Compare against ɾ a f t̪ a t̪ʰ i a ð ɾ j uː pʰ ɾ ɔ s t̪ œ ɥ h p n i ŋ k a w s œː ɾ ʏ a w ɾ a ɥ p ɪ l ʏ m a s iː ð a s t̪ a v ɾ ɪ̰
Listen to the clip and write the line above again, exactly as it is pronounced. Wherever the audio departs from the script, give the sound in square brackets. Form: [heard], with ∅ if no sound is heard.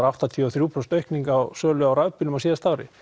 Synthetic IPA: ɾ a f t̪ a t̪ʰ i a [θ] ɾ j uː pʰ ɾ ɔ s t̪ œ ɥ h [k] n i ŋ k a w s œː [l] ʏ a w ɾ a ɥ p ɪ l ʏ m a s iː ð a s t̪ a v ɾ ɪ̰